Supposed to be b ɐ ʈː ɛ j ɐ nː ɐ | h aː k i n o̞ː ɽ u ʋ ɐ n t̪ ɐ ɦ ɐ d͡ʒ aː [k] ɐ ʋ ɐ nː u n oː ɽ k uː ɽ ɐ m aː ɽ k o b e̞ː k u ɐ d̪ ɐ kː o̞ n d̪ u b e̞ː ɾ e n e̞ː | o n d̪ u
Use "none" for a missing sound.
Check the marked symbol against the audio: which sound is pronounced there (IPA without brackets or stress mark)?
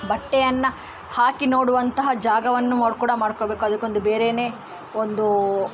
ɡ